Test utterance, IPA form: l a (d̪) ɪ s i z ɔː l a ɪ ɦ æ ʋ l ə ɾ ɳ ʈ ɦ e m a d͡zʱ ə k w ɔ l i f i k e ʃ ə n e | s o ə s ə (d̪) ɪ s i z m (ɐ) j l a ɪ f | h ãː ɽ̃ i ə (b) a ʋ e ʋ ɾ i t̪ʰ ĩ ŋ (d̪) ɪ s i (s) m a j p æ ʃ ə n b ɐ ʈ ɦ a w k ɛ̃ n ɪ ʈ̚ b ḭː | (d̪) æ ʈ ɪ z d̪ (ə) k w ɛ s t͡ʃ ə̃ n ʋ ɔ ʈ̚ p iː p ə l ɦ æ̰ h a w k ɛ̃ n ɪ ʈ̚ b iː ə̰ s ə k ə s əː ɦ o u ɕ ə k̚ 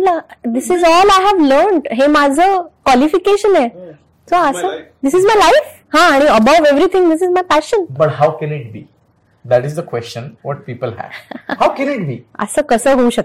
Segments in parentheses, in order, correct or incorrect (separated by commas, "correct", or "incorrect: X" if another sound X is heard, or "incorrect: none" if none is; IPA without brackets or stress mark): correct, correct, incorrect: a, correct, correct, incorrect: z, correct, correct